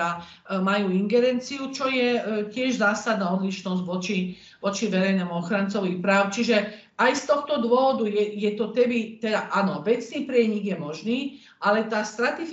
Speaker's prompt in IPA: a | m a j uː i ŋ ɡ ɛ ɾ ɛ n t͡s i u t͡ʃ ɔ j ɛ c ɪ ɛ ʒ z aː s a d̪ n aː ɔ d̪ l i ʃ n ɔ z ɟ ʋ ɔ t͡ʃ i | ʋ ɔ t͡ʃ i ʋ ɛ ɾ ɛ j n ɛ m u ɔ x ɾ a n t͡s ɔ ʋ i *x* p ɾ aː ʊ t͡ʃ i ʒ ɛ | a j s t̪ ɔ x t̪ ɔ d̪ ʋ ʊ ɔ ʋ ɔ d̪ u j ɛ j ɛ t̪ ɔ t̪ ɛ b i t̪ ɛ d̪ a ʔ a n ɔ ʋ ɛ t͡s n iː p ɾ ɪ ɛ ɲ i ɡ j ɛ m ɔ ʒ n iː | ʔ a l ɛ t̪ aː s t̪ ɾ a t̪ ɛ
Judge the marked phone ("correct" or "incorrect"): correct